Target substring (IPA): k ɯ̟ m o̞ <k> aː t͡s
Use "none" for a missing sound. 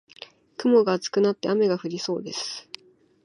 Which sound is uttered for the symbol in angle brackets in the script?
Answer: ɡ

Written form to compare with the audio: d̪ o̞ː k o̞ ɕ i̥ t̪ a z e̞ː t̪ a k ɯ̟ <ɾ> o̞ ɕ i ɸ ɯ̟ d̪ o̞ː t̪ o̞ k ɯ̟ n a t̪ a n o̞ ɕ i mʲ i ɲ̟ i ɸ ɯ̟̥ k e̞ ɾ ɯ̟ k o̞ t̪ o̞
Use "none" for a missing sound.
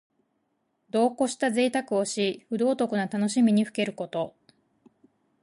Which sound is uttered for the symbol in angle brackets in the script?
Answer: none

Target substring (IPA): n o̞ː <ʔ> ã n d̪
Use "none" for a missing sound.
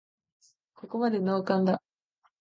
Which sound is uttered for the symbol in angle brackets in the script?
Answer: k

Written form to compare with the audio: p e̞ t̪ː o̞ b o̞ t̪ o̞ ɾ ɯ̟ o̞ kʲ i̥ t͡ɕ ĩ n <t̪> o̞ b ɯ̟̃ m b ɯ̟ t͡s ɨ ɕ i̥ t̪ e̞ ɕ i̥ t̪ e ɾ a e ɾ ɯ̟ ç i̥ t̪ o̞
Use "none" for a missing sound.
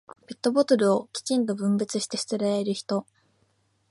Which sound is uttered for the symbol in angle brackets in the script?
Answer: t̪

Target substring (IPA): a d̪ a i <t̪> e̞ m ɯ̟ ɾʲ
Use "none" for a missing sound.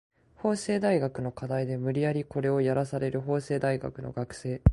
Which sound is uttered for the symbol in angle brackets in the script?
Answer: d̪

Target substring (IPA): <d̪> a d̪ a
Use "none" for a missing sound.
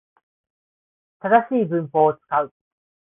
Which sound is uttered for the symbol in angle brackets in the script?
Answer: t̪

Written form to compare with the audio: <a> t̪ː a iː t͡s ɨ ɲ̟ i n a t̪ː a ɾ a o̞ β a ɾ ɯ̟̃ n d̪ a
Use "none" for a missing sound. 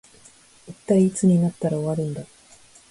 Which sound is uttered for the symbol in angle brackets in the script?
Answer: i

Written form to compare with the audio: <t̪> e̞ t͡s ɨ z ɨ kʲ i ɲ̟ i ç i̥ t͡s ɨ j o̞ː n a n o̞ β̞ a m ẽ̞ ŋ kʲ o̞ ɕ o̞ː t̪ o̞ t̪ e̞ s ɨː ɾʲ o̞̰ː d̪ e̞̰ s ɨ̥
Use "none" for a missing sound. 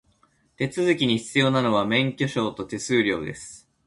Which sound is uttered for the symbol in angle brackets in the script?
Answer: t̪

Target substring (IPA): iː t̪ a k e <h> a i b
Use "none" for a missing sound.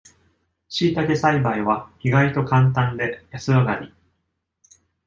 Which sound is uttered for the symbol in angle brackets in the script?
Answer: s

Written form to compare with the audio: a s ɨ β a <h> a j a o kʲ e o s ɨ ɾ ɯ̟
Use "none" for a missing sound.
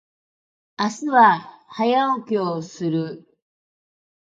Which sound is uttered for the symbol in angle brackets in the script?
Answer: h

